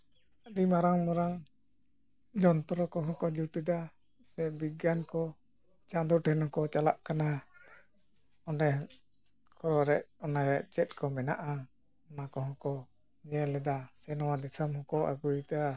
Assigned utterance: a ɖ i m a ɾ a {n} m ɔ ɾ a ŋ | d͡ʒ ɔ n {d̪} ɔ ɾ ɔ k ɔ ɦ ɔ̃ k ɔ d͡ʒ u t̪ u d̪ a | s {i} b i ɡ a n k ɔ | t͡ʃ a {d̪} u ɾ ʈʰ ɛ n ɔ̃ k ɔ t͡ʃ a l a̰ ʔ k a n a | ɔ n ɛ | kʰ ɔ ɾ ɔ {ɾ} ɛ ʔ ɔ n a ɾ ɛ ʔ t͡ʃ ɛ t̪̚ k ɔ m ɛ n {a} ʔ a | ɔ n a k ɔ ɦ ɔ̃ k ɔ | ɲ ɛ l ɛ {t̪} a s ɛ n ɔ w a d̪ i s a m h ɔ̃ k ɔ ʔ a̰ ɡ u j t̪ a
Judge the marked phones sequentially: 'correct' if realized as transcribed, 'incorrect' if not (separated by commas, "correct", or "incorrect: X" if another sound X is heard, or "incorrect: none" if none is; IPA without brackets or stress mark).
incorrect: ŋ, incorrect: t̪, incorrect: ɛ, correct, correct, correct, incorrect: d̪